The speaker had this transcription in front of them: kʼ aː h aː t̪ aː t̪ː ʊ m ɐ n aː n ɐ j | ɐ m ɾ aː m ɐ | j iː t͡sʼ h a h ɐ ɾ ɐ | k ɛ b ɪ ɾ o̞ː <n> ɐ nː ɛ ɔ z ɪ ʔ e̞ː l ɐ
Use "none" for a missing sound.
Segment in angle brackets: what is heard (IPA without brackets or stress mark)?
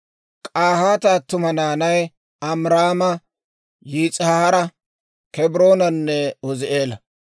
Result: n